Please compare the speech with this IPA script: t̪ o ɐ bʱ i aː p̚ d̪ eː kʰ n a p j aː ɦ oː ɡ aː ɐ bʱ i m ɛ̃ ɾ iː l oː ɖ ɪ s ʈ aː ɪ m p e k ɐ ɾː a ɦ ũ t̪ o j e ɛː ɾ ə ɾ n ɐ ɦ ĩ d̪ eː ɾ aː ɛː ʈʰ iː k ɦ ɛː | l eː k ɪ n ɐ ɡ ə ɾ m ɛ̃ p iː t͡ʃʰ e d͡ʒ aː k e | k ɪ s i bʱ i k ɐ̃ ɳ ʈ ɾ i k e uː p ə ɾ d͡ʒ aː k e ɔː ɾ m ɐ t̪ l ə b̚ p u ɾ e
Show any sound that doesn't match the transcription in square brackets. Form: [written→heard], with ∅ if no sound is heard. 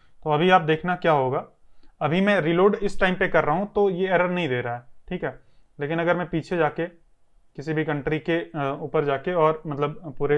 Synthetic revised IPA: t̪ o ɐ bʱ i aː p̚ d̪ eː kʰ n a [p→k] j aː ɦ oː ɡ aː ɐ bʱ i m ɛ̃ ɾ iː l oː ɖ ɪ s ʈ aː ɪ m p e k ɐ ɾː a ɦ ũ t̪ o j e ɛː ɾ ə ɾ n ɐ ɦ ĩ d̪ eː ɾ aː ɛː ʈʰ iː k ɦ ɛː | l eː k ɪ n ɐ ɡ ə ɾ m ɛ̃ p iː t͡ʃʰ e d͡ʒ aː k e | k ɪ s i bʱ i k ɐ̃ ɳ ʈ ɾ i k e uː p ə ɾ d͡ʒ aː k e ɔː ɾ m ɐ t̪ l ə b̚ p [u→uː] ɾ e

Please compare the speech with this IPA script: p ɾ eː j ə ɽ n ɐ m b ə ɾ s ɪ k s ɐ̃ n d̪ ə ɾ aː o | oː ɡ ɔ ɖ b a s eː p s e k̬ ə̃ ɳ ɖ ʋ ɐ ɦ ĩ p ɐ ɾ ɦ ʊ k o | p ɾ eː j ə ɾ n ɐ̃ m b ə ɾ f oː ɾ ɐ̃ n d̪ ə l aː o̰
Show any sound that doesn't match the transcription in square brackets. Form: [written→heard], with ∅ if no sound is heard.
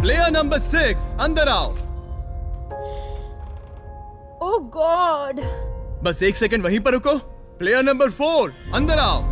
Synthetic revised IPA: p [ɾ→l] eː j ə [ɽ→ɾ] n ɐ m b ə ɾ s ɪ k s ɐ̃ n d̪ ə ɾ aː o | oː ɡ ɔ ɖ b [a→ɐ] s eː [p→k] s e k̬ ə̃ ɳ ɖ ʋ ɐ ɦ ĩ p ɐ ɾ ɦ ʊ k o | p [ɾ→l] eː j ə ɾ n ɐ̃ m b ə ɾ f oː ɾ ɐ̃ n d̪ ə [l→ɾ] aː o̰

